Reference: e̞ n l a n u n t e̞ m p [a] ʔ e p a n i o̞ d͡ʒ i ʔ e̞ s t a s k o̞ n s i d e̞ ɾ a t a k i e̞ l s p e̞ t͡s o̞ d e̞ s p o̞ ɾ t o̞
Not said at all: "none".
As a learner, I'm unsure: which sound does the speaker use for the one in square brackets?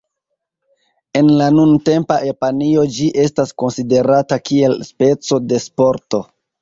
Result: a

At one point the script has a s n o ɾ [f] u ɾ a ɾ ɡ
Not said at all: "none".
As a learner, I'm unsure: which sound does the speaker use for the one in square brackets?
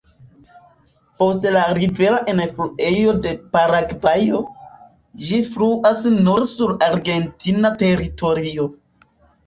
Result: s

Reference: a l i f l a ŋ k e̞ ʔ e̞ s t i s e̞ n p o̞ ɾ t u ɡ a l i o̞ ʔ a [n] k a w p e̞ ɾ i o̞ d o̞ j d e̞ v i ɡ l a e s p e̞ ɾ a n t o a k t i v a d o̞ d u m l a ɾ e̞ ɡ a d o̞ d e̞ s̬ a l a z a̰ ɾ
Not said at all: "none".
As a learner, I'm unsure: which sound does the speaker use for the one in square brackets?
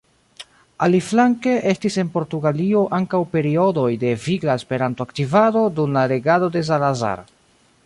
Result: ŋ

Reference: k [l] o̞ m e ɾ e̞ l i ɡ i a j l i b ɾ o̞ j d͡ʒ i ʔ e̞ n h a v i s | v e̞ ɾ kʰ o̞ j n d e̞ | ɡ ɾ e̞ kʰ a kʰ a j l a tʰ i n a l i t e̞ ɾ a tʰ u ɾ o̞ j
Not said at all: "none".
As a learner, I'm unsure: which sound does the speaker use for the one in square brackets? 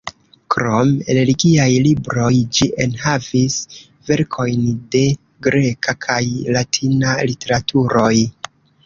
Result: ɾ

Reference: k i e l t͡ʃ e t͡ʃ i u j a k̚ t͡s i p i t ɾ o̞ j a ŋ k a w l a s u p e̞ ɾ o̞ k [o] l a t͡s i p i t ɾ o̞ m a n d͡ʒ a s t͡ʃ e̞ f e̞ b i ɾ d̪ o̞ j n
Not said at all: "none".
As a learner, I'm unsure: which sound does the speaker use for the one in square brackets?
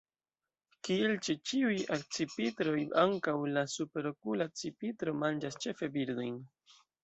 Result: u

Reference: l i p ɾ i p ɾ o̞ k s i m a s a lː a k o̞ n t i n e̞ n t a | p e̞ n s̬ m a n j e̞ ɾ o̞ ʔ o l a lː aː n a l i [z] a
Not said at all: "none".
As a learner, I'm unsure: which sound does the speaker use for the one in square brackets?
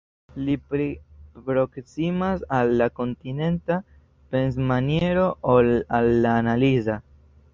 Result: z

